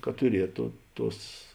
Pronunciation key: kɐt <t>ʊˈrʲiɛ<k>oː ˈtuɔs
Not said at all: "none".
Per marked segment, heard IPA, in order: t, t

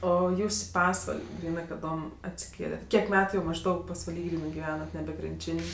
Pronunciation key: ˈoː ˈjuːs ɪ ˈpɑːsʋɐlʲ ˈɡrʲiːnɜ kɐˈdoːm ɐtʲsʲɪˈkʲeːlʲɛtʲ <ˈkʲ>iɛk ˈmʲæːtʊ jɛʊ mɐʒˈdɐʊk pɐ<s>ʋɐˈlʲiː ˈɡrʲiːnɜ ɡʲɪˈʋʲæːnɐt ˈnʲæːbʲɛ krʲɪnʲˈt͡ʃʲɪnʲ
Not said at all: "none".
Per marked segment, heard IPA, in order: kʲ, s

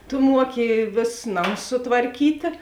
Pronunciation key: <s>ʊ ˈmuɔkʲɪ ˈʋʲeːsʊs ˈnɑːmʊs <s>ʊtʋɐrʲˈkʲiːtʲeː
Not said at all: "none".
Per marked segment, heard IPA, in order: t, s

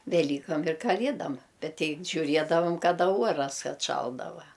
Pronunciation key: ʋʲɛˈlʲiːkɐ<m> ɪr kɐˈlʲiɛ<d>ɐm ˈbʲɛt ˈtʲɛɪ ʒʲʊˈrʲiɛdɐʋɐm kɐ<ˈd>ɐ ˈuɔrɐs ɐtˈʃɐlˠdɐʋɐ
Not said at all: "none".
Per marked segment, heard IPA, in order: m, d, d

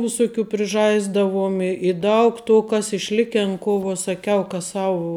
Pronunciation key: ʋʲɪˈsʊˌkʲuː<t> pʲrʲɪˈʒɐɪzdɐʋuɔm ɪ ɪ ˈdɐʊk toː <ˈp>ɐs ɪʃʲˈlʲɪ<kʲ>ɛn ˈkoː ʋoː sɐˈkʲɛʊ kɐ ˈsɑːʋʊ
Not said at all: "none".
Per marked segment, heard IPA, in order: none, k, kʲ

